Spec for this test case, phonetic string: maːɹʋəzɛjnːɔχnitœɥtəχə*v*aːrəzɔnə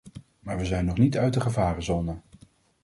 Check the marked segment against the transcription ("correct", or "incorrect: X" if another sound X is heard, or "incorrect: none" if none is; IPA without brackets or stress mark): correct